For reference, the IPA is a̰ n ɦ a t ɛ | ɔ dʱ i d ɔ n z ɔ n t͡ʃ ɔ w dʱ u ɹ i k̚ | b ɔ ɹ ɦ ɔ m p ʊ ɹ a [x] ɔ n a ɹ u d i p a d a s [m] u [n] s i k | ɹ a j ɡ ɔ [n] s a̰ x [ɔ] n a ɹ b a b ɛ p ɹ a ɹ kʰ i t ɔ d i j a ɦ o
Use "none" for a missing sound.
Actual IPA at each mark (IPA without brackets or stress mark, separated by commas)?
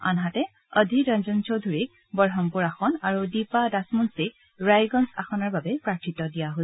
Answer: x, m, n, n, ɔ